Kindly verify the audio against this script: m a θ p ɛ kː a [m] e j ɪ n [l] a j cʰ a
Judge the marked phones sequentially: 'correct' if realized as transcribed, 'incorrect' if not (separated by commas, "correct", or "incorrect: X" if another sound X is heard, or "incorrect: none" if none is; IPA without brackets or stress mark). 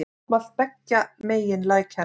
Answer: correct, correct